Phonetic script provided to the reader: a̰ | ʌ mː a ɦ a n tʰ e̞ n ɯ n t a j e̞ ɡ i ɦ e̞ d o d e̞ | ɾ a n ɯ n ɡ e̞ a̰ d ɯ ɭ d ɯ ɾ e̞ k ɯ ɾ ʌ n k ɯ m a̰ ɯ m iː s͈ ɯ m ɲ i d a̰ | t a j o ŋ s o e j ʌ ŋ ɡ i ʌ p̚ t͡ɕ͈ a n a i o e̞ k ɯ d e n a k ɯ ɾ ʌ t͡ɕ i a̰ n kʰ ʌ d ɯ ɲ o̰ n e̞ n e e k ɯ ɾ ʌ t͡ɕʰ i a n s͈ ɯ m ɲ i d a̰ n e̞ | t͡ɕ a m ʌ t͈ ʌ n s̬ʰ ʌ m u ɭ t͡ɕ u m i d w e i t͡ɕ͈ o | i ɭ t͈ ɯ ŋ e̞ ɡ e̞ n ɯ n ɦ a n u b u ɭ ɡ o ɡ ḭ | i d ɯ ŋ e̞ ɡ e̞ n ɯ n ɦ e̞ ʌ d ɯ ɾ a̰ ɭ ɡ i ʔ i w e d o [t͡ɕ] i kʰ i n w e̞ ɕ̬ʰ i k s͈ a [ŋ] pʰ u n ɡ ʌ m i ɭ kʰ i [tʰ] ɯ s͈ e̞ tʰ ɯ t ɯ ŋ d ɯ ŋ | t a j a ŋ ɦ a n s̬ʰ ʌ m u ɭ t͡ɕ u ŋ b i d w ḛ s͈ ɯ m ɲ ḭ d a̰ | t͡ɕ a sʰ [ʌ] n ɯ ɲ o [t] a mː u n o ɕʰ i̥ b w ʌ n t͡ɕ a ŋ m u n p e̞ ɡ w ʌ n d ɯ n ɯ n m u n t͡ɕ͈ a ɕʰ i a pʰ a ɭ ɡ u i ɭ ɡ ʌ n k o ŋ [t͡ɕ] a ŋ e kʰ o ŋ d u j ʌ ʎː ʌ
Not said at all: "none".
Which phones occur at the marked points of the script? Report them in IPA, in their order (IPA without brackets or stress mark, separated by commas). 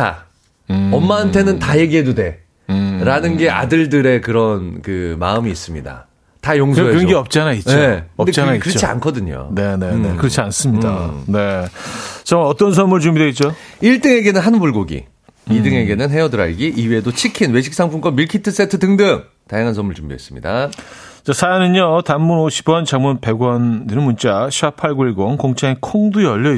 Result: t͡ɕʰ, ŋ, tʰ, a, t, t͡ɕʰ